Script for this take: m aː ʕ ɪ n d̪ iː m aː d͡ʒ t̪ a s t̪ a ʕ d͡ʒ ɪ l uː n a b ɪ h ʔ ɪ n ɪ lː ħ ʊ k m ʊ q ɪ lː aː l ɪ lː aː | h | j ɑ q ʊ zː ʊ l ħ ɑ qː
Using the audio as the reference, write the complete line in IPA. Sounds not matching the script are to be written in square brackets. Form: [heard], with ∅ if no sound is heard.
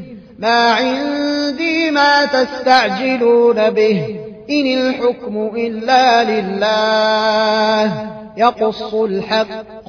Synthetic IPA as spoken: m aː ʕ ɪ n d̪ iː m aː [∅] t̪ a s t̪ a ʕ d͡ʒ ɪ l uː n a b ɪ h ʔ ɪ n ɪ [l] ħ ʊ k m ʊ [ʔ] ɪ lː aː l ɪ lː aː | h | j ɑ q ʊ [sː] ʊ l ħ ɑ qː